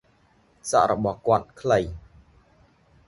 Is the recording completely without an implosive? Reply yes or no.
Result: no